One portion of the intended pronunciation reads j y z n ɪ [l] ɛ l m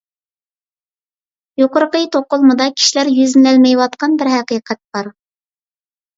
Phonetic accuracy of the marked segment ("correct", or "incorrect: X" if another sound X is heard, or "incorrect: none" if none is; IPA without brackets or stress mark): correct